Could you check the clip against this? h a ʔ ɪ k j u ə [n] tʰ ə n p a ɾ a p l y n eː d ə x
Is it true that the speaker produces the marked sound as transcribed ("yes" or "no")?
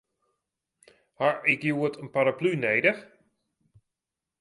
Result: no